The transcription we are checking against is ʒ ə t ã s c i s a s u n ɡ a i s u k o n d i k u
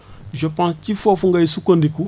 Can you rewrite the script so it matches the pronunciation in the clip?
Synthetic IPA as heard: ʒ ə p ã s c i f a f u ŋ ɡ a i s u k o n d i k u